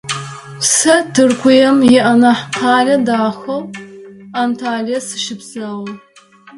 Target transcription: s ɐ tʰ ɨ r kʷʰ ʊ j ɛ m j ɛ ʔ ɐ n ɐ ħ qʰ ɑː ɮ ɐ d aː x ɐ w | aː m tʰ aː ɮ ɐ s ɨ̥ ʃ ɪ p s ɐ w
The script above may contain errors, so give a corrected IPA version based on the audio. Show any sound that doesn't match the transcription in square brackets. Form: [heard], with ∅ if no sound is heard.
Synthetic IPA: s ɐ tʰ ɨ r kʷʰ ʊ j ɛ m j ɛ ʔ ɐ n ɐ ħ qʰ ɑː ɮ ɐ d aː x ɐ w | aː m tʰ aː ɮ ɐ s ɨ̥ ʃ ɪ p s ɐ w

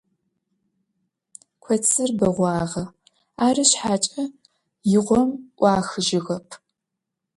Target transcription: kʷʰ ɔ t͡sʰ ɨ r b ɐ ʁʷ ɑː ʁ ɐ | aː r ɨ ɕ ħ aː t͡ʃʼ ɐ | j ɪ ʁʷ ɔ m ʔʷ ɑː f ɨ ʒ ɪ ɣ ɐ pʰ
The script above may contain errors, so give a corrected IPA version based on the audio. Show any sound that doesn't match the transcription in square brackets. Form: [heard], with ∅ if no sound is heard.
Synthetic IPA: kʷʰ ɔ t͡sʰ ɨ r b ɐ ʁʷ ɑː ʁ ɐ | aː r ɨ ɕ ħ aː t͡ʃʼ ɐ | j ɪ ʁʷ ɔ m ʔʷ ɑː [x] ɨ ʒ ɪ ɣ ɐ pʰ

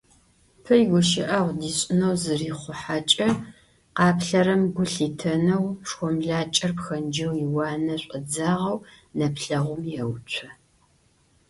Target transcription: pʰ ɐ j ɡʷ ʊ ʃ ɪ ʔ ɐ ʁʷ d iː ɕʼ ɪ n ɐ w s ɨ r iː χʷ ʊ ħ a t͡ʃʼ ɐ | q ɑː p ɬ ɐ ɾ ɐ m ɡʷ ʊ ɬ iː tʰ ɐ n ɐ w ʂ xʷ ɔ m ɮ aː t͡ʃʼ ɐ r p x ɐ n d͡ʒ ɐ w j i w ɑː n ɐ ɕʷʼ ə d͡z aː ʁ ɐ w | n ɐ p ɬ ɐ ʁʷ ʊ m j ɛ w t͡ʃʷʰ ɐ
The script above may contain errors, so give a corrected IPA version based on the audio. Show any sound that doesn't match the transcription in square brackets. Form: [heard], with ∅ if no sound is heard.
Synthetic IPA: pʰ ɐ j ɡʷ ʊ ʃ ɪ ʔ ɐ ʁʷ d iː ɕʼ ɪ n ɐ w [z] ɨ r iː χʷ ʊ ħ a t͡ʃʼ ɐ | q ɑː p ɬ ɐ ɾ ɐ m ɡʷ ʊ ɬ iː tʰ ɐ n ɐ w ʂ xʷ ɔ m ɮ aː t͡ʃʼ ɐ r p x ɐ n d͡ʒ ɐ w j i w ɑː n ɐ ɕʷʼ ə d͡z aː ʁ ɐ w | n ɐ p ɬ ɐ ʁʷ ʊ m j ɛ w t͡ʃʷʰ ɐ

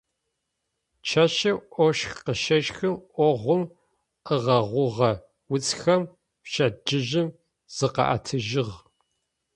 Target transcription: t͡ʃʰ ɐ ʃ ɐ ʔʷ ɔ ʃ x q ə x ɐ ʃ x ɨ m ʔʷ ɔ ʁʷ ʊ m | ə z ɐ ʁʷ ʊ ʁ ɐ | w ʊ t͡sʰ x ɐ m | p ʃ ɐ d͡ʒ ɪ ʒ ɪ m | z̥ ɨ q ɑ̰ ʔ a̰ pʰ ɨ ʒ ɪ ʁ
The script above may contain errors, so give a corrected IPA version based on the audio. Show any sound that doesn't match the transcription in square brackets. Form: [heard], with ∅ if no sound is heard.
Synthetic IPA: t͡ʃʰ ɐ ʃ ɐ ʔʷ ɔ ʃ x q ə [ʃ] ɐ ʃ x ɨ m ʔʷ ɔ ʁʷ ʊ m | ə [ʁ] ɐ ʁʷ ʊ ʁ ɐ | w ʊ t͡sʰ x ɐ m | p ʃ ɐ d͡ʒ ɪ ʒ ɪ m | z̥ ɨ q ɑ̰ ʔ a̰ [tʰ] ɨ ʒ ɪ ʁ

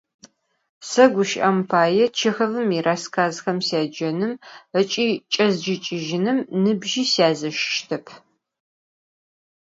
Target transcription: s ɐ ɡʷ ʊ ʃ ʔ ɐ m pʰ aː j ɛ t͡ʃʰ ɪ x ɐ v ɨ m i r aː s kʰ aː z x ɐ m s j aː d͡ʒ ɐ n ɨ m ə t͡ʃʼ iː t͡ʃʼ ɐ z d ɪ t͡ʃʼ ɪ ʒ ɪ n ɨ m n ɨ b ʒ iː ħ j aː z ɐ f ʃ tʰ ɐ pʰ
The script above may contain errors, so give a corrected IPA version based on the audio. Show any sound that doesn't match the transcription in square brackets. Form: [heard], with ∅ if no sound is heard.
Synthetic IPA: s ɐ ɡʷ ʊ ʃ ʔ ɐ m pʰ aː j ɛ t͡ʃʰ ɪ x ɐ v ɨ m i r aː s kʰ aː z x ɐ m s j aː d͡ʒ ɐ n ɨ m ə t͡ʃʼ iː t͡ʃʼ ɐ z [d͡ʒ] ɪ t͡ʃʼ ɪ ʒ ɪ n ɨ m n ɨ b ʒ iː [s] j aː z ɐ [ʃ] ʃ tʰ ɐ pʰ

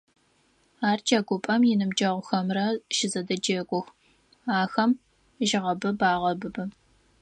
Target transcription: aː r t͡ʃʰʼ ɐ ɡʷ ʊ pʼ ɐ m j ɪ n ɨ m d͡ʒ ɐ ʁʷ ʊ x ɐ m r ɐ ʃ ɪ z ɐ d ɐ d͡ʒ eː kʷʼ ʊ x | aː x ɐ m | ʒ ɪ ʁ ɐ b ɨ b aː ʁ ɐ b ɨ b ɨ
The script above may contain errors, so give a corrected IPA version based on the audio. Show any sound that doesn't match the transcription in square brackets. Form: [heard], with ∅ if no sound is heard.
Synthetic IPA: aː r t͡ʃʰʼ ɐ ɡʷ ʊ pʼ ɐ m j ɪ n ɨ m d͡ʒ ɐ ʁʷ ʊ x ɐ m r ɐ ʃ ɪ z ɐ d ɐ d͡ʒ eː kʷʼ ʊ x | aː x ɐ m | ʒ ɪ ʁ ɐ b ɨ b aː ʁ ɐ b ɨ b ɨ

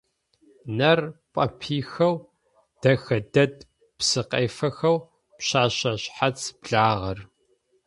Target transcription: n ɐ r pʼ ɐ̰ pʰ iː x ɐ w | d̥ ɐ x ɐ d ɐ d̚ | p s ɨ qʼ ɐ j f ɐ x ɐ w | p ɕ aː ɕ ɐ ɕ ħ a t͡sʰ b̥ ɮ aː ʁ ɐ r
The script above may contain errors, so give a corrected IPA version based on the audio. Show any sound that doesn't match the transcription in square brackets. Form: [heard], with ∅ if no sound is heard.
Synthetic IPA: n ɐ r pʼ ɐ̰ pʰ iː x ɐ w | d̥ ɐ x ɐ d ɐ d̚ | p s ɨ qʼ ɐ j f ɐ x ɐ w | p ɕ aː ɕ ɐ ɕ ħ a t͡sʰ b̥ ɮ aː ʁ ɐ r

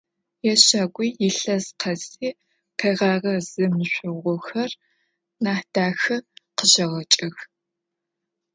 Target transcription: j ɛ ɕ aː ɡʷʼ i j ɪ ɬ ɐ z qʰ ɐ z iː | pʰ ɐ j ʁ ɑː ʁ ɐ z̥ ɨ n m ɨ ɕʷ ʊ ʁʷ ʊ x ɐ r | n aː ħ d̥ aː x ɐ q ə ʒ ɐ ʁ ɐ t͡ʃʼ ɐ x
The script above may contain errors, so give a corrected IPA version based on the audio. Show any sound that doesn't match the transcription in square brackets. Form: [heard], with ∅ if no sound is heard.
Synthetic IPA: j ɛ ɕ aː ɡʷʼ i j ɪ ɬ ɐ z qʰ ɐ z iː | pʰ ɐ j ʁ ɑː ʁ ɐ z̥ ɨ [∅] m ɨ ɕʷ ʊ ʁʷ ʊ x ɐ r | n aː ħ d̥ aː x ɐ q ə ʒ ɐ ʁ ɐ t͡ʃʼ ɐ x

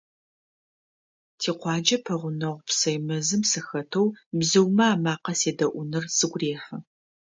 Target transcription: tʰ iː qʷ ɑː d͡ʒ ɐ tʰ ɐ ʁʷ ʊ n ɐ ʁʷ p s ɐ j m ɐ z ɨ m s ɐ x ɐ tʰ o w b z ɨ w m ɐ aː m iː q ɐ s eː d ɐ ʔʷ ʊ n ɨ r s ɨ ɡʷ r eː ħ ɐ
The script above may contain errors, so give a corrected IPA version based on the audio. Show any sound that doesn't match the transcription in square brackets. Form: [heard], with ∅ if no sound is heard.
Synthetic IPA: tʰ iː qʷ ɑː d͡ʒ ɐ [pʰ] ɐ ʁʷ ʊ n ɐ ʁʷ p s ɐ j m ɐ z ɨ m s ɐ x ɐ tʰ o w b z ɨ w m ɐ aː m [aː] q ɐ s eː d ɐ ʔʷ ʊ n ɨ r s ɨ ɡʷ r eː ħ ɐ

